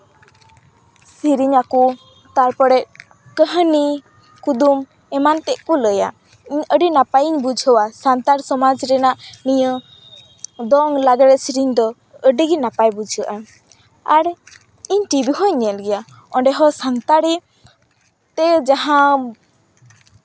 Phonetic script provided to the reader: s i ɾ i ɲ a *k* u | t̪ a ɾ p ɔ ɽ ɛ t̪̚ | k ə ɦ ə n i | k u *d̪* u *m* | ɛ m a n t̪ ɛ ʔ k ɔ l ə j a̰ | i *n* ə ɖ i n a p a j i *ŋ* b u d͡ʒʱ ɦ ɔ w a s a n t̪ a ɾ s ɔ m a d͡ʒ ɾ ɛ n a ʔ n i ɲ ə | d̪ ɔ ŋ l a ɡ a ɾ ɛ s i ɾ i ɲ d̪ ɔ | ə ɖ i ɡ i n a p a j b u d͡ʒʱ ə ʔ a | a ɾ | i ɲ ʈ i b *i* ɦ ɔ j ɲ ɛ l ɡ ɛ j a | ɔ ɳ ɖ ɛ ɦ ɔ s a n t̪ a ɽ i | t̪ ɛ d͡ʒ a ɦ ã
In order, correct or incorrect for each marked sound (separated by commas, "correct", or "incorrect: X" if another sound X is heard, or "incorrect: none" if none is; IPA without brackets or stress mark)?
correct, correct, correct, incorrect: ɲ, incorrect: ɲ, correct